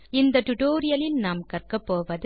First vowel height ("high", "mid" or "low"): high